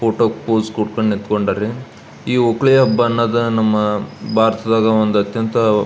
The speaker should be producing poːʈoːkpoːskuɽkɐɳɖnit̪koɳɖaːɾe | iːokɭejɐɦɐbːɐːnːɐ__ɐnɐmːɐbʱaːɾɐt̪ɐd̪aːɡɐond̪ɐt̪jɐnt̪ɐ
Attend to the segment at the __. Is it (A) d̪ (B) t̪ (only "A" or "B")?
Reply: A